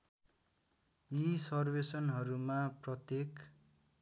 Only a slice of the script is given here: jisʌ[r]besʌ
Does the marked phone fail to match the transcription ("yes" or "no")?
no